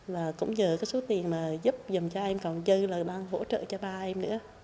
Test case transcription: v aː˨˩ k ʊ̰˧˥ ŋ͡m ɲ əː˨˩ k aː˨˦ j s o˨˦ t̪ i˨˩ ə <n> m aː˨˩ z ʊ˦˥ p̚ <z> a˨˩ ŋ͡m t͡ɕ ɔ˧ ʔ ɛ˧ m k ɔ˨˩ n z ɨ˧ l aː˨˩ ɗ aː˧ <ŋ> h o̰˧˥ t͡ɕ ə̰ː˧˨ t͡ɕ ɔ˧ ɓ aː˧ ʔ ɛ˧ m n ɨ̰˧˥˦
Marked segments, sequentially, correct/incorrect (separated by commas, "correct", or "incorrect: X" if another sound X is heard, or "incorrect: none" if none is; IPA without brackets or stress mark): correct, correct, correct